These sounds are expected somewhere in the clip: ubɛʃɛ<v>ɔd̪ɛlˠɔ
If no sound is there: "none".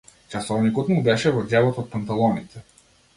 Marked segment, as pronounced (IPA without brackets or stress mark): v